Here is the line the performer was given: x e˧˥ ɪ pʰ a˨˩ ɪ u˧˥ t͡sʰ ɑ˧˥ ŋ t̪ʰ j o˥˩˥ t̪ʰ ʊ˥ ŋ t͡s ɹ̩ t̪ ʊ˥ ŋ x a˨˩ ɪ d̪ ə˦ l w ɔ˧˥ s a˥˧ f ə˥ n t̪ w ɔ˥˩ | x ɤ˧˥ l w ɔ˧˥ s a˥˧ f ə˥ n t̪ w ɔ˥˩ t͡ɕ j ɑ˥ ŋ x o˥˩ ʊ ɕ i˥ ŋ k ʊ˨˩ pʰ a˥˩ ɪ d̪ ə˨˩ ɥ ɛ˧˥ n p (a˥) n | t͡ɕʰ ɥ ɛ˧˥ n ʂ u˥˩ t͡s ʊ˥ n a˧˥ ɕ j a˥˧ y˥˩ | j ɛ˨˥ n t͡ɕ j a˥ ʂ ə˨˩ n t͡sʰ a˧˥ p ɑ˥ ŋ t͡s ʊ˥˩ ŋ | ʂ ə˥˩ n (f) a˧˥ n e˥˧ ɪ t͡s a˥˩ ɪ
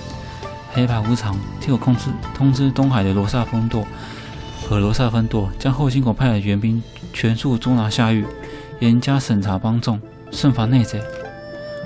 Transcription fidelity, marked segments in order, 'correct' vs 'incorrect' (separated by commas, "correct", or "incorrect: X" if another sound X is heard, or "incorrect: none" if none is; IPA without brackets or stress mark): incorrect: i˥, correct